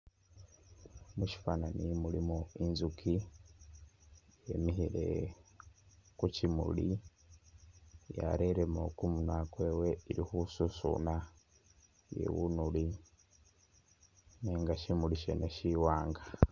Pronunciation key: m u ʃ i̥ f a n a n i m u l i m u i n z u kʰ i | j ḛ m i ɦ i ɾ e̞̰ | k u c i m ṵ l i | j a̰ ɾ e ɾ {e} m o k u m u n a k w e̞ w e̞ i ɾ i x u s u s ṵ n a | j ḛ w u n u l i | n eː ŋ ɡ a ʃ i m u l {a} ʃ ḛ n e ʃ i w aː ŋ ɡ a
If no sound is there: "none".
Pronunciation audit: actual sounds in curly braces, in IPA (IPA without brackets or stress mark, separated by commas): e, i